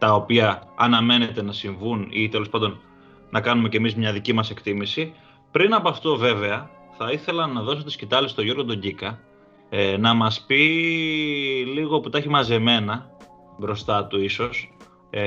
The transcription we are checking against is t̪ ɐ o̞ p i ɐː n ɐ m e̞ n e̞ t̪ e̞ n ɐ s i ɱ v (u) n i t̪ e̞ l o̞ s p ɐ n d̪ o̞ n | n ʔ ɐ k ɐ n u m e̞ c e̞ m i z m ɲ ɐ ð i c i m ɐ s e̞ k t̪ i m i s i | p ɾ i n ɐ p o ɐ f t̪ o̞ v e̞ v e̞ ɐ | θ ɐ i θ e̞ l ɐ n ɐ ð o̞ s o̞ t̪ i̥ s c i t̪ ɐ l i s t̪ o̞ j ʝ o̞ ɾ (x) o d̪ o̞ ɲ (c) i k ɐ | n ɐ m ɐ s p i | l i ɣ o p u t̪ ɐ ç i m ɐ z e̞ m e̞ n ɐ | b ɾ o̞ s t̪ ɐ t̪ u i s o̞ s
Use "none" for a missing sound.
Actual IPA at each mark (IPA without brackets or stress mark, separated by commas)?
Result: u, ɣ, ɟ